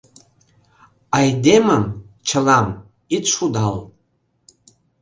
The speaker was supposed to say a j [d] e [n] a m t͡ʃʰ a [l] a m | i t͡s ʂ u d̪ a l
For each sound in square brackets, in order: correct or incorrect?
correct, incorrect: m, correct

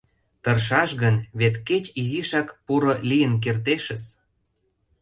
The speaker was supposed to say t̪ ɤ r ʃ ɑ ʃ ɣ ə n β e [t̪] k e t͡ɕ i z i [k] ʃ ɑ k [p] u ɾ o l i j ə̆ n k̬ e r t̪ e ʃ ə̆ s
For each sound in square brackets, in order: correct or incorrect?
correct, incorrect: none, correct

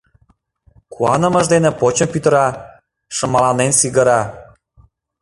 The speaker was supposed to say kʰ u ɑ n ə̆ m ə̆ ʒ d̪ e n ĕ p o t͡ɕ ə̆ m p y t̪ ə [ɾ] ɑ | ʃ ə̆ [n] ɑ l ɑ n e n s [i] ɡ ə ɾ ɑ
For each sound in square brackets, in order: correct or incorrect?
correct, incorrect: m, correct

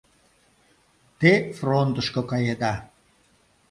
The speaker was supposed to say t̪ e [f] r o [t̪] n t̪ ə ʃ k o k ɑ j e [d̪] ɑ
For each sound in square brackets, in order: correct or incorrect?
correct, incorrect: none, correct

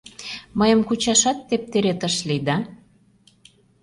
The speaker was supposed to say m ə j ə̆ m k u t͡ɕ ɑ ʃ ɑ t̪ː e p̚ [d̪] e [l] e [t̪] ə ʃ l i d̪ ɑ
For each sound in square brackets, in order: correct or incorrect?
incorrect: t̪, incorrect: ɾ, correct

